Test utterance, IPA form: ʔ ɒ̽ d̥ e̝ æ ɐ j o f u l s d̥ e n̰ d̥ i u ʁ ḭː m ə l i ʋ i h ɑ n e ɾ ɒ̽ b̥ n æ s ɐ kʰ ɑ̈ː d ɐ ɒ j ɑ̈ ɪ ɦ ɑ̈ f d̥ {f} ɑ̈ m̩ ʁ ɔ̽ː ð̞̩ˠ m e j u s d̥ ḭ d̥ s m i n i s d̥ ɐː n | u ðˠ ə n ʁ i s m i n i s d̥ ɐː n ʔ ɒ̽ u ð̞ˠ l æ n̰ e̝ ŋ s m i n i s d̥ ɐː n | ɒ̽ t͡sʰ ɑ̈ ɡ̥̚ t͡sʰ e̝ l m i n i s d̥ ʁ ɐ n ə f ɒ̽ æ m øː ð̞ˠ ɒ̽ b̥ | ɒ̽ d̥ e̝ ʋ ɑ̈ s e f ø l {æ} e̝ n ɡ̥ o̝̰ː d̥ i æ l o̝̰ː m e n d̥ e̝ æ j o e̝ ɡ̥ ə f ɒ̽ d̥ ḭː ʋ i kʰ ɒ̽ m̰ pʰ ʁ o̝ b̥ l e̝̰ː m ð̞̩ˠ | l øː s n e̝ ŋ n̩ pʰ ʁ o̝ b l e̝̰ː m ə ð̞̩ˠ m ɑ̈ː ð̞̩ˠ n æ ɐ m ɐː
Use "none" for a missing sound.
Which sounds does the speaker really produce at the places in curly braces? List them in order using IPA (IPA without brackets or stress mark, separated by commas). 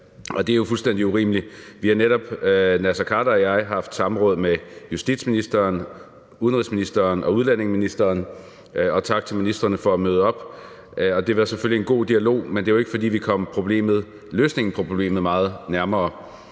s, i